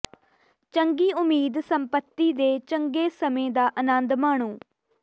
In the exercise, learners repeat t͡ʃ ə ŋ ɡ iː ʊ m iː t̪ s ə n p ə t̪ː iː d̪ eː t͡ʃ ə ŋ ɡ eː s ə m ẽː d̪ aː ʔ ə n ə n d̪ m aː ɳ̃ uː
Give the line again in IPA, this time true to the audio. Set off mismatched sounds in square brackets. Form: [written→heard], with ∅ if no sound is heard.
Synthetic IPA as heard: t͡ʃ ə ŋ ɡ iː ʊ m iː [t̪→d̪] s ə [n→m] p ə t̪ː iː d̪ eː t͡ʃ ə ŋ ɡ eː s ə m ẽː d̪ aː ʔ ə n ə n d̪ m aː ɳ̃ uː

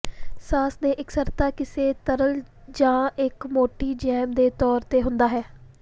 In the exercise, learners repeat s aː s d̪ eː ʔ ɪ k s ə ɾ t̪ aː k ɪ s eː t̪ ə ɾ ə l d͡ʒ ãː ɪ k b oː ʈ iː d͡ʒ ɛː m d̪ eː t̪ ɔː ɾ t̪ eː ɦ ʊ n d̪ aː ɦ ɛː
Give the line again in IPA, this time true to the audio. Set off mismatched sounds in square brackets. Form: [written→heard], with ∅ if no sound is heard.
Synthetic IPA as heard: s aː s d̪ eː ʔ ɪ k s ə ɾ t̪ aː k ɪ s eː t̪ ə ɾ ə l d͡ʒ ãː ɪ k [b→m] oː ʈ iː d͡ʒ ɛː m d̪ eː t̪ ɔː ɾ t̪ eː ɦ ʊ n d̪ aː ɦ ɛː

